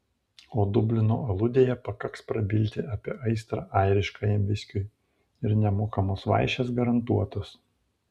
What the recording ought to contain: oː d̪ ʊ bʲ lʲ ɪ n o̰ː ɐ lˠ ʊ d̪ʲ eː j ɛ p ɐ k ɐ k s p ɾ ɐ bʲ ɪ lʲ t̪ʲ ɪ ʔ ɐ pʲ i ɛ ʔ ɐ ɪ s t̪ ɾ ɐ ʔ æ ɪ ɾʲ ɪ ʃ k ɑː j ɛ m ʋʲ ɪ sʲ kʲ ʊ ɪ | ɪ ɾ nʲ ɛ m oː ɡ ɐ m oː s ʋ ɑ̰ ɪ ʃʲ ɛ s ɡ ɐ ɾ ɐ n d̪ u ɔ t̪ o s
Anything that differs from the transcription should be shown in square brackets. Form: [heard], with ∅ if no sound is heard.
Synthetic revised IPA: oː d̪ ʊ bʲ lʲ ɪ n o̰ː ɐ lˠ ʊ d̪ʲ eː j ɛ p ɐ k ɐ k s p ɾ ɐ bʲ ɪ lʲ t̪ʲ ɪ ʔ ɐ pʲ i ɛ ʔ ɐ ɪ s t̪ ɾ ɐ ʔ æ ɪ ɾʲ ɪ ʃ k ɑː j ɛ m ʋʲ ɪ sʲ kʲ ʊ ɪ | ɪ ɾ nʲ ɛ m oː [k] ɐ m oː s ʋ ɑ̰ ɪ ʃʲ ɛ s ɡ ɐ ɾ ɐ n [t̪] u ɔ t̪ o s

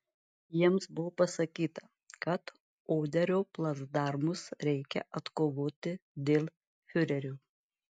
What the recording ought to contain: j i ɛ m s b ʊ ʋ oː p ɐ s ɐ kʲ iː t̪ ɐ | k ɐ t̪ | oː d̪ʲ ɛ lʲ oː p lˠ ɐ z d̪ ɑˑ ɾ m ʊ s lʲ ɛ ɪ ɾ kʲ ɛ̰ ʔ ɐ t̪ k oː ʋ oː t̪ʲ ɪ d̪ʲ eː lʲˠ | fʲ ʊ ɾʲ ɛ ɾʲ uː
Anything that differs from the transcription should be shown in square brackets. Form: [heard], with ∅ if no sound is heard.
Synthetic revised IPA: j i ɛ m s b ʊ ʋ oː p ɐ s ɐ kʲ iː t̪ ɐ | k ɐ t̪ | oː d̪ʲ ɛ [ɾʲ] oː p lˠ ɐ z d̪ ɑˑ ɾ m ʊ s [ɾʲ] ɛ ɪ [∅] kʲ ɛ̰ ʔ ɐ t̪ k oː ʋ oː t̪ʲ ɪ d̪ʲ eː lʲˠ | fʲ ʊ ɾʲ ɛ ɾʲ uː

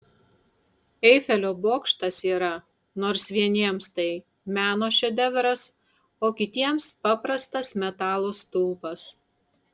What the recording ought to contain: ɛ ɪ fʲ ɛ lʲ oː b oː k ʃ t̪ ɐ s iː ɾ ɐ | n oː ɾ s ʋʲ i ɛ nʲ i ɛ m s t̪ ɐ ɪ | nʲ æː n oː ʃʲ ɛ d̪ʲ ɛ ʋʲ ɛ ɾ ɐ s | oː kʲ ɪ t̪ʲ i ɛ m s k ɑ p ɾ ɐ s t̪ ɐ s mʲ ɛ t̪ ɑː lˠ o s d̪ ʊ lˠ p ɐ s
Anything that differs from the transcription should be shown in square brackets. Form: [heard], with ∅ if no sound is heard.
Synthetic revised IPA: ɛ ɪ fʲ ɛ lʲ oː b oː k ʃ t̪ ɐ s iː ɾ ɐ | n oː ɾ s ʋʲ i ɛ nʲ i ɛ m s t̪ ɐ ɪ | [mʲ] æː n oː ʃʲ ɛ d̪ʲ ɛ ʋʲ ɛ ɾ ɐ s | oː kʲ ɪ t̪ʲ i ɛ m s [p] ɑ p ɾ ɐ s t̪ ɐ s mʲ ɛ t̪ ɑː lˠ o s [t̪] ʊ lˠ p ɐ s

